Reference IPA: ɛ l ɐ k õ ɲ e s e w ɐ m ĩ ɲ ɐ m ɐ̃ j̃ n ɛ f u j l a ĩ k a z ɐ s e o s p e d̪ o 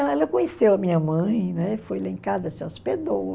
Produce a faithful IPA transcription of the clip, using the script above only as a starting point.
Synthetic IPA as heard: ɛ l ɐ k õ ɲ e s e w ɐ m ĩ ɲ ɐ m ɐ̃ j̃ n ɛ f o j l a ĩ k a z ɐ s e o s p e d̪ o